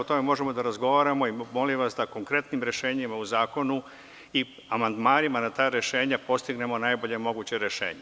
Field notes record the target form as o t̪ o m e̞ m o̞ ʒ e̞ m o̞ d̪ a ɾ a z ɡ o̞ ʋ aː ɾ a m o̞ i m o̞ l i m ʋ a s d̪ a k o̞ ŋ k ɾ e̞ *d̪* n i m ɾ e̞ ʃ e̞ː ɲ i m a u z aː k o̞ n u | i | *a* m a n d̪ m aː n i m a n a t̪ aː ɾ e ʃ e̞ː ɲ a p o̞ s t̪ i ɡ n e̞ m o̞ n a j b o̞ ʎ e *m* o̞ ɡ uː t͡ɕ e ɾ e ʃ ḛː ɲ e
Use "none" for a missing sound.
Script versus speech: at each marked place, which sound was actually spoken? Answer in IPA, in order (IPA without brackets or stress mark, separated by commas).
t̪, a, m